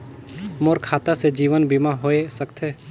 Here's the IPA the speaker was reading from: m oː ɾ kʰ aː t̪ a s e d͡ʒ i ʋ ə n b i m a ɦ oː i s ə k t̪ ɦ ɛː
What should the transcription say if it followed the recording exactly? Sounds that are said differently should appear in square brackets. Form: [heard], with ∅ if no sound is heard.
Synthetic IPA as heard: m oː ɾ kʰ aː t̪ a s e d͡ʒ [iː] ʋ ə n b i m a ɦ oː [e] s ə k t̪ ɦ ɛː